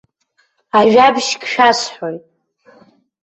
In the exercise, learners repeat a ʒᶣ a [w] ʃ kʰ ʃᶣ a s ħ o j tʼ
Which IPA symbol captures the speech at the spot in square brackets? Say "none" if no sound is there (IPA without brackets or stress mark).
b